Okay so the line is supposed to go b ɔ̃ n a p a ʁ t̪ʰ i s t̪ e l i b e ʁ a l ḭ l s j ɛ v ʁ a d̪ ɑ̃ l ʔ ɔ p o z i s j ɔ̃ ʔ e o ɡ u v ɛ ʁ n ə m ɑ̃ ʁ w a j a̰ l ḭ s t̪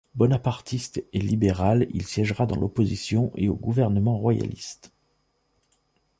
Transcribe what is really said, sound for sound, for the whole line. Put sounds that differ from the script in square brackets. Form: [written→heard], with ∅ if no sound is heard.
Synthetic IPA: b [ɔ̃→ɔ] n a p a ʁ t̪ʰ i s t̪ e l i b e ʁ a l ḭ l s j ɛ [v→ʒ] ʁ a d̪ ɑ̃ l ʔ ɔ p o z i s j ɔ̃ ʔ e o ɡ u v ɛ ʁ n ə m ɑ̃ ʁ w a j a̰ l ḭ s t̪